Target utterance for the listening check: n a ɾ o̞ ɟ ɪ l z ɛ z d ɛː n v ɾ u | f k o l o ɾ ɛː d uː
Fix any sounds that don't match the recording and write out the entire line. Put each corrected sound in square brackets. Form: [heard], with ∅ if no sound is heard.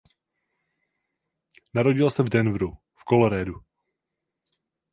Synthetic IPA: n a ɾ o̞ ɟ ɪ l [s] ɛ [v] d [ɛ] n v ɾ u | f k o l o ɾ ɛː d [u]